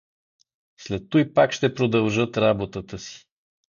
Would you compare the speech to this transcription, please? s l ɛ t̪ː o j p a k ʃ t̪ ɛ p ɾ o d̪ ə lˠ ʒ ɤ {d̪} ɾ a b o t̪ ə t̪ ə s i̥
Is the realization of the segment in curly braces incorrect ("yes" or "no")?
yes